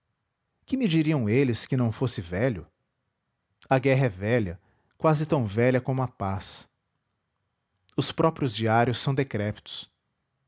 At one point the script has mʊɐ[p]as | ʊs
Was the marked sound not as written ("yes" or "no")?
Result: no